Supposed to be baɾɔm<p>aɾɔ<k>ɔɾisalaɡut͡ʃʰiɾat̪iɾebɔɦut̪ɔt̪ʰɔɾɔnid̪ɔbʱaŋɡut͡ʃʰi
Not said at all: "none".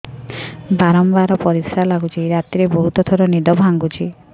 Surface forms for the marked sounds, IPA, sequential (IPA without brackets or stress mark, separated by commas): b, p